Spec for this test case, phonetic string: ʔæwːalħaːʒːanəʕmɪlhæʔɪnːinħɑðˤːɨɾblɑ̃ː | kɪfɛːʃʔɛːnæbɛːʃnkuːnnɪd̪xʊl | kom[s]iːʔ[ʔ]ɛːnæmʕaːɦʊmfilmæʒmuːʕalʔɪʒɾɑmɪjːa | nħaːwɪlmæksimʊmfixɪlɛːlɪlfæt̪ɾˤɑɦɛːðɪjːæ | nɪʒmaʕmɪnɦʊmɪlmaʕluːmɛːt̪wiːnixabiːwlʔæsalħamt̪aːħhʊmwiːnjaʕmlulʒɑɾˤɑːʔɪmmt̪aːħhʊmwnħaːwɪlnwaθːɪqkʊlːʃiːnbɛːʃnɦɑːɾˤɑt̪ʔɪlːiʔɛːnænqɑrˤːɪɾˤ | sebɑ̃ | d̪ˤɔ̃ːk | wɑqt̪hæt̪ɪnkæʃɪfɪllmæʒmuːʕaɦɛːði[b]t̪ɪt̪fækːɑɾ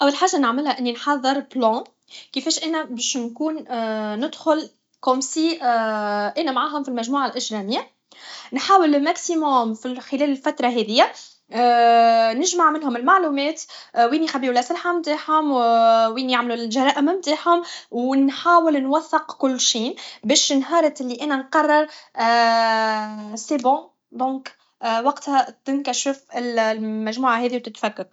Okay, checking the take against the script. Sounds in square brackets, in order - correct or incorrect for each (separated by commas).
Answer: correct, correct, incorrect